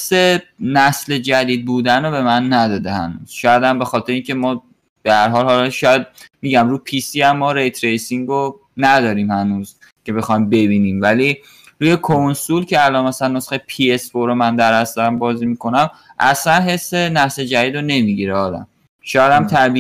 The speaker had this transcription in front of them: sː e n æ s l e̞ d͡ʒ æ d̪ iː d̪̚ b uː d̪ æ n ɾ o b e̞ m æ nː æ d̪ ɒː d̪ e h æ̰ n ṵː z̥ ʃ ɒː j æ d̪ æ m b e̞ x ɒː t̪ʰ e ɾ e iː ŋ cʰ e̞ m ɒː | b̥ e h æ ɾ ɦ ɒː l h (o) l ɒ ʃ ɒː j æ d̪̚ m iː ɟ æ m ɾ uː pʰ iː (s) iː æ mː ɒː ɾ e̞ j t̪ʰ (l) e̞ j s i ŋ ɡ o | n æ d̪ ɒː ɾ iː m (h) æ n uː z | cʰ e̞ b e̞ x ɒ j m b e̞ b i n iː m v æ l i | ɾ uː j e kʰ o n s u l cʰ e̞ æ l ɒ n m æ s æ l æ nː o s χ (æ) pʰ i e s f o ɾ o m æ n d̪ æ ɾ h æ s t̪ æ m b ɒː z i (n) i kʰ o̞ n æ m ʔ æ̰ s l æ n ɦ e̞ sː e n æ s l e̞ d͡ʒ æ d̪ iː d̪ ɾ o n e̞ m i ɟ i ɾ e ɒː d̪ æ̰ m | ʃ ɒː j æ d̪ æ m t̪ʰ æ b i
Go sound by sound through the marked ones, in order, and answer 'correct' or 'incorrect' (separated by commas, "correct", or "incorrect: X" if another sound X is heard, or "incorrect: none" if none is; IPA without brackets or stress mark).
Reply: incorrect: ɒ, correct, incorrect: ɾ, correct, incorrect: e, incorrect: m